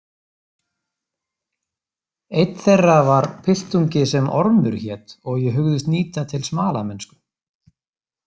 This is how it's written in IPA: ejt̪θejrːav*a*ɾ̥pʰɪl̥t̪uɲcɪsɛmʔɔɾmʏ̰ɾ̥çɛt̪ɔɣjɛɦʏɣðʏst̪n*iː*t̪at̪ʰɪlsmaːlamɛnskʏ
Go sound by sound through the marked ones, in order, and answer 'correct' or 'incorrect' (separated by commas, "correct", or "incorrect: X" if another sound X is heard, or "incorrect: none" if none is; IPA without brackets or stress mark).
correct, correct